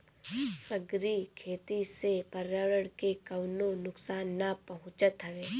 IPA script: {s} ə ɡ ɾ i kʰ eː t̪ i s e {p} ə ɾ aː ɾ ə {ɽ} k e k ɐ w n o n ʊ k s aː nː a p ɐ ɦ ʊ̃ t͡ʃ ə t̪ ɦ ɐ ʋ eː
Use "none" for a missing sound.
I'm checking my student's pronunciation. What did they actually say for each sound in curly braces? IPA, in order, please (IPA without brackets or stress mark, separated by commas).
s, p, ɽ